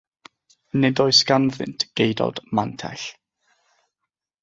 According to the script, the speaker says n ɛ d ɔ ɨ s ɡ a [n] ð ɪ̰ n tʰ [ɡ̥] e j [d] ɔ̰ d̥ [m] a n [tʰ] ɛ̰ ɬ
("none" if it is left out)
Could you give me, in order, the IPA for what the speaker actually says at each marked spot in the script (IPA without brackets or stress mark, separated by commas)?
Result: n, ɡ̥, d, m, tʰ